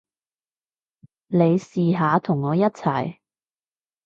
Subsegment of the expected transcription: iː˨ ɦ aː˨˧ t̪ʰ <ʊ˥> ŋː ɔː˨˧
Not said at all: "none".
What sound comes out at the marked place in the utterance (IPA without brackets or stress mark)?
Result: ʊ˨˩